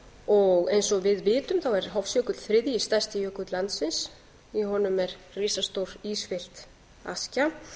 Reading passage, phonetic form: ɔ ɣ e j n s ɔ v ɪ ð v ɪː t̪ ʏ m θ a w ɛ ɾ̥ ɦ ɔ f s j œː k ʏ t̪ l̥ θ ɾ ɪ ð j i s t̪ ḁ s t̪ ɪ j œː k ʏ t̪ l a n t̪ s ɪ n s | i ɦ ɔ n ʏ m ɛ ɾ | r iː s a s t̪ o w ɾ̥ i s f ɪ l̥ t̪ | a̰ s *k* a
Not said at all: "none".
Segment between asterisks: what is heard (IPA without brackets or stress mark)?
c